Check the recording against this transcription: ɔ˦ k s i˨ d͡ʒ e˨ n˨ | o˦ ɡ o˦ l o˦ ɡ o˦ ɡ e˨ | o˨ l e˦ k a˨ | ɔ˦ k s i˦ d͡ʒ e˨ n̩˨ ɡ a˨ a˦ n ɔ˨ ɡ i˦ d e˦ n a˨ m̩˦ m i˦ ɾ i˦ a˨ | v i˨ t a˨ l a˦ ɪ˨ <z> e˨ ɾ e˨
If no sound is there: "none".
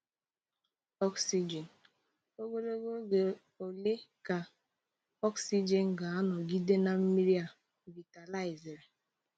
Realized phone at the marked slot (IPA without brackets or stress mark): z